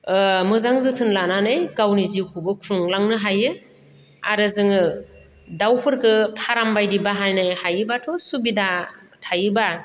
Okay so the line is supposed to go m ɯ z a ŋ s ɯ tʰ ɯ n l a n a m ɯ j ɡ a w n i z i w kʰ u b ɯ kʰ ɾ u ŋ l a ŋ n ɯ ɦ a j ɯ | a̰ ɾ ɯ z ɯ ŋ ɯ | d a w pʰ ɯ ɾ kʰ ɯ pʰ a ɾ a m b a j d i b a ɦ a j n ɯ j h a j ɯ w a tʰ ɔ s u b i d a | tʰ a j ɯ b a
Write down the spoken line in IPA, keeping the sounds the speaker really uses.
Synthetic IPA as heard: m ɯ z a ŋ z ɯ tʰ ɯ n l a n a n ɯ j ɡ a w n i z i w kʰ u b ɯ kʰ ɾ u ŋ l a ŋ n ɯ ɦ a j ɯ | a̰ ɾ ɯ z ɯ ŋ ɯ | d a w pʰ ɯ ɾ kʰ ɯ pʰ a ɾ a m b a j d i b a ɦ a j n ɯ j h a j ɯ b a tʰ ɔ s u b i d a | tʰ a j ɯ b a